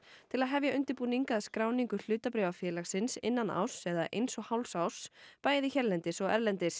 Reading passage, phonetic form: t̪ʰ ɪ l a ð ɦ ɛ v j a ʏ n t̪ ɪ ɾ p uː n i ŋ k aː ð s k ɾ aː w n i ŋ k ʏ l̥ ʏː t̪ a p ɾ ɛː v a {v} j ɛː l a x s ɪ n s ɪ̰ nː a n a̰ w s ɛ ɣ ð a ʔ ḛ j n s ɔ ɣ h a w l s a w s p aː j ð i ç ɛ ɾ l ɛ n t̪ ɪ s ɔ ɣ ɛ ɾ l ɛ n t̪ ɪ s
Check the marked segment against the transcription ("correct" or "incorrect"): incorrect